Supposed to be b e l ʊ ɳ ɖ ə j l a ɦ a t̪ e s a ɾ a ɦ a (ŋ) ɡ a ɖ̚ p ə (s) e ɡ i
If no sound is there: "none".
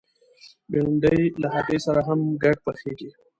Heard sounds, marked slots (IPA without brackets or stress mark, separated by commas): m, x